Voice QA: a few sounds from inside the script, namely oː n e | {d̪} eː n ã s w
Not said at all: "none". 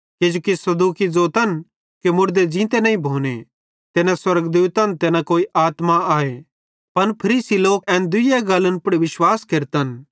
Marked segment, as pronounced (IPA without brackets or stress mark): t̪